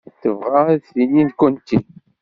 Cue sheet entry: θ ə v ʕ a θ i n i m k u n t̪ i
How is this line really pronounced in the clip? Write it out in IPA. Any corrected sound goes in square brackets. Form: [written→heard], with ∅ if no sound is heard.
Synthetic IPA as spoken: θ ə v [ʕ→ʁ] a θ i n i [m→n] k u n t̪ i